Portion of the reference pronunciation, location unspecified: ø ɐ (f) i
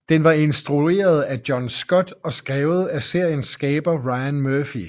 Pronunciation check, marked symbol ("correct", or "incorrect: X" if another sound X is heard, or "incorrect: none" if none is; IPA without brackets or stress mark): correct